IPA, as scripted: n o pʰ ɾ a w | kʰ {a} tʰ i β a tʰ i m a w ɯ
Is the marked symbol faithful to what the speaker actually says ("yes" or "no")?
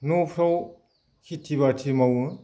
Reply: no